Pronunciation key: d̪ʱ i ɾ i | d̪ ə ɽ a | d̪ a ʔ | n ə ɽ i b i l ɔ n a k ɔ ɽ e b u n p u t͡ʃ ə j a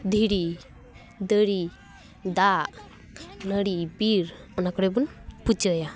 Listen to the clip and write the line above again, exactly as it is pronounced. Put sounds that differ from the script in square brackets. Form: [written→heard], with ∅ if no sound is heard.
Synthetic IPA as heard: d̪ʱ i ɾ i | d̪ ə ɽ [a→i] | d̪ a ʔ | n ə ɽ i b i [l→ɾ] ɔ n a k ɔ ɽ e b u n p u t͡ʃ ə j a